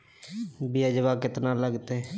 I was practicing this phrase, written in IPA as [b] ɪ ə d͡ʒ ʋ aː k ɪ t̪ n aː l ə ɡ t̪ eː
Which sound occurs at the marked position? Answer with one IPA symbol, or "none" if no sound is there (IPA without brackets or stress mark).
b